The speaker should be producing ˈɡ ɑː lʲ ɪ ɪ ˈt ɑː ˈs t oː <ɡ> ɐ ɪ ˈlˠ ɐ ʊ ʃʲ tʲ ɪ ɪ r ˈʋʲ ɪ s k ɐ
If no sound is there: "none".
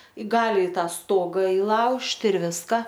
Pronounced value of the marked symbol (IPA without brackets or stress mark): ɡ